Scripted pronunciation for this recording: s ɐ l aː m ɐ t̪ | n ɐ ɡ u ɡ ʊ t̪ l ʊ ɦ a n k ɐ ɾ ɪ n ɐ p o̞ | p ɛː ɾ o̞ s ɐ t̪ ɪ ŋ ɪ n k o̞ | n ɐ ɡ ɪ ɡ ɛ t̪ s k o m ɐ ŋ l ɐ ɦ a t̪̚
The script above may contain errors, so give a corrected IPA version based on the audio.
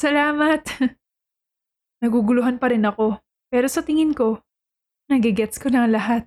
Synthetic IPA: s ɐ l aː m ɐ t̪ | n ɐ ɡ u ɡ ʊ l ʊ ɦ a n p ɐ ɾ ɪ n ɐ k o̞ | p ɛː ɾ o̞ s ɐ t̪ ɪ ŋ ɪ n k o̞ | n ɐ ɡ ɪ ɡ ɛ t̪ s k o n ɐ ŋ l ɐ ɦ a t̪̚